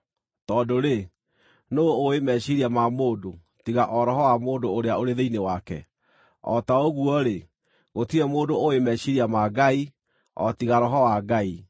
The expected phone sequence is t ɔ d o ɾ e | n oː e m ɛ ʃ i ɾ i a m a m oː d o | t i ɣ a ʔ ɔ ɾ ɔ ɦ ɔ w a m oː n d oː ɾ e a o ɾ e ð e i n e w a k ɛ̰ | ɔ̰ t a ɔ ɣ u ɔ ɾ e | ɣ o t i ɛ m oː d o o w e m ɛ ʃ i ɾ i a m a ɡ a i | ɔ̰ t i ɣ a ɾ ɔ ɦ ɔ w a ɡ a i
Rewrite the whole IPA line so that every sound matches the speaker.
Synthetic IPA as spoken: t ɔ d o ɾ e | n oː e m ɛ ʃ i ɾ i a m a m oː d o | t i ɣ a ʔ ɔ ɾ ɔ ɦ ɔ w a m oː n d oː ɾ e a o ɾ e ð e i n e w a k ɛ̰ | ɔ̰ t a o ɣ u ɔ ɾ e | ɣ o t i ɛ m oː d o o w e m ɛ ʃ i ɾ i a m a ɡ a i | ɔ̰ t i ɣ a ɾ ɔ ɦ ɔ w a ɡ a i